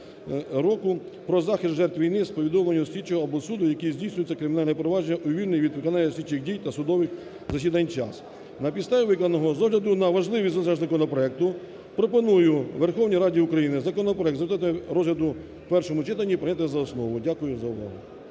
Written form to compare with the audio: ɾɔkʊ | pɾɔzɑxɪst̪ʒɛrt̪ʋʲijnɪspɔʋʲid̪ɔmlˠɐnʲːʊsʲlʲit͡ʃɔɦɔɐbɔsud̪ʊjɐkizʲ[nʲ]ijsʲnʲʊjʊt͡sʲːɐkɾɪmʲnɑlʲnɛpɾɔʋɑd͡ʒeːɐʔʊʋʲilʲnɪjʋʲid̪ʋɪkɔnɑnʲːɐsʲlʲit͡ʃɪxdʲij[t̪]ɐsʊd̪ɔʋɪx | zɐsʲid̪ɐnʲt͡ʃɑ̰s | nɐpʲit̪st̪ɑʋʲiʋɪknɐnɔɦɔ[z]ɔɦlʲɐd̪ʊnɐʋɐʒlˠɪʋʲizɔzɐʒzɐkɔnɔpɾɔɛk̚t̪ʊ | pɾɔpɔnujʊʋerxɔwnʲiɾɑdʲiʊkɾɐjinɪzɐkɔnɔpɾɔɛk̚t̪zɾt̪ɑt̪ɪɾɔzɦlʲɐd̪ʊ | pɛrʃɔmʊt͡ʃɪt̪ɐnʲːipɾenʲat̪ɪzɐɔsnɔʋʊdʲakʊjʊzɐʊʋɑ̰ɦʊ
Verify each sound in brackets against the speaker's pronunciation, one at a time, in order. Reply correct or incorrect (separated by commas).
incorrect, correct, correct